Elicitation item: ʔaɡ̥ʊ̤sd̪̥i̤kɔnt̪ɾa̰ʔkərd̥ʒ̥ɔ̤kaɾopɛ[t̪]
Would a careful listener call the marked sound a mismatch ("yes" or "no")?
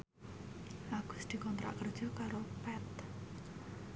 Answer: no